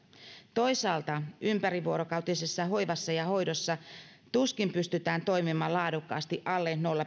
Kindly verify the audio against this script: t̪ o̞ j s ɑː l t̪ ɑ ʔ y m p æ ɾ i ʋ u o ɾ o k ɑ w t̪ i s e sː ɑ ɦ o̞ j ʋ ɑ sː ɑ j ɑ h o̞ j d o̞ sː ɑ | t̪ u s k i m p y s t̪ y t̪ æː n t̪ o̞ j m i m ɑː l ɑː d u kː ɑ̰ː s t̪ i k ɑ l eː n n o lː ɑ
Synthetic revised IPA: t̪ o̞ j s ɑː l t̪ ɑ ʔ y m p æ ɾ i ʋ u o ɾ o k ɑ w t̪ i s e sː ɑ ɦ o̞ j ʋ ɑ sː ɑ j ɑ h o̞ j d o̞ sː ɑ | t̪ u s k i m p y s t̪ y t̪ æː n t̪ o̞ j m i m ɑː l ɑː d u kː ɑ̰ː s t̪ i ʔ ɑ lː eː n n o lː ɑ